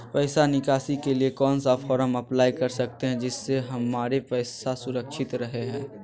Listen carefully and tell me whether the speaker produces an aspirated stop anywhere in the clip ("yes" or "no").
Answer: no